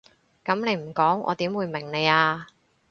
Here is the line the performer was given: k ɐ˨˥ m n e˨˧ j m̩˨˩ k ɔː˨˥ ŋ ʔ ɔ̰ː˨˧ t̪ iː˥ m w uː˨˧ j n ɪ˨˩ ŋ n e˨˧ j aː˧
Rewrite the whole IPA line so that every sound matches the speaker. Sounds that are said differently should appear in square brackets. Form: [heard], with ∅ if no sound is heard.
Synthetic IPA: k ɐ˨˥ m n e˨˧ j m̩˨˩ k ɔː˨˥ ŋ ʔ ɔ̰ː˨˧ t̪ [iː˨˥] m w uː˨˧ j [m] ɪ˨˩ ŋ n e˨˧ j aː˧